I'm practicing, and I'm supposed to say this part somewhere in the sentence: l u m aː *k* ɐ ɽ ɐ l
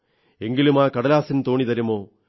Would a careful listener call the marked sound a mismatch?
no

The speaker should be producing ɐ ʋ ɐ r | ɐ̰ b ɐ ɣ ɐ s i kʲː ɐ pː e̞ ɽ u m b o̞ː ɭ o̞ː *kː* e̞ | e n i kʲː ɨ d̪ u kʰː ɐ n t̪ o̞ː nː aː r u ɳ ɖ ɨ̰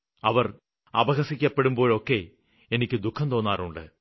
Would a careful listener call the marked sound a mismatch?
no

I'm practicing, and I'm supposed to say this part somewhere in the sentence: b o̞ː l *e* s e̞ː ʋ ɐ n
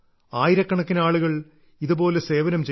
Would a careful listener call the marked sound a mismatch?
no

